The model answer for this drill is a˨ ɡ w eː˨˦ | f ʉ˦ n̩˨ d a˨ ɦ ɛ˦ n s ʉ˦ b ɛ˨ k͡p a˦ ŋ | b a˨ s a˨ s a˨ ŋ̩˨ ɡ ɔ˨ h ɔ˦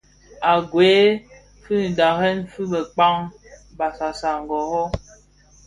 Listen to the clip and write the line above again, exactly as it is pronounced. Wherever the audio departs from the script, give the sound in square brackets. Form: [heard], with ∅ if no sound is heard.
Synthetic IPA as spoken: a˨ ɡ w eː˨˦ | f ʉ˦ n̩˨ d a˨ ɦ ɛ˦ n [f] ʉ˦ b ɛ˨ k͡p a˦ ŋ | b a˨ s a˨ s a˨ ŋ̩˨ ɡ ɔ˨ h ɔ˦